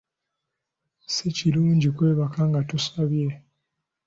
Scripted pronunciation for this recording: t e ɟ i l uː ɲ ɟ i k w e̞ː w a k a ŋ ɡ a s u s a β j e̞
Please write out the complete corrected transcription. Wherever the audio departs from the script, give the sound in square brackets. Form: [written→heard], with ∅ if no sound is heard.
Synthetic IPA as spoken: [t→s] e [ɟ→c] i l uː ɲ ɟ i k w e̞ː [w→β] a k a ŋ ɡ a [s→t] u s a β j e̞